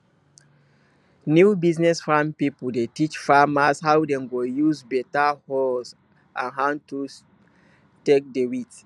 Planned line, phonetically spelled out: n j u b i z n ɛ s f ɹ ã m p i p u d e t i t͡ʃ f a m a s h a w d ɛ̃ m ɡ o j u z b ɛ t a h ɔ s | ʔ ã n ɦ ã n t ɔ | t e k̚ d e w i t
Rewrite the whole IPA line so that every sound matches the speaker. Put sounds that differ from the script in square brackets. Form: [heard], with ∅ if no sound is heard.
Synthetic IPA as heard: n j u b i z n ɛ s f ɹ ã m p i p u d e t i t͡ʃ f a m a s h a w d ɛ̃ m ɡ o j u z b ɛ t a h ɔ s | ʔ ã n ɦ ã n t [u] | t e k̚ d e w i t